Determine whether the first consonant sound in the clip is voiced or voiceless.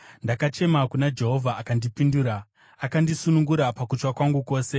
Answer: voiced